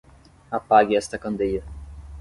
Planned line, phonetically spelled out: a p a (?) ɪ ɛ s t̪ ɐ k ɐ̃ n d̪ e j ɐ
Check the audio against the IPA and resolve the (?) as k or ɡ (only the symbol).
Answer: ɡ